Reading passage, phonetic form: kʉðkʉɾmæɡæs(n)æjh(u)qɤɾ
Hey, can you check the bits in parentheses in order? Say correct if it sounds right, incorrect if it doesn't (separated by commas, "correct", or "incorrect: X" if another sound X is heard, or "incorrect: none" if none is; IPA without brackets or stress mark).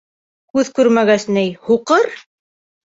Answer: correct, correct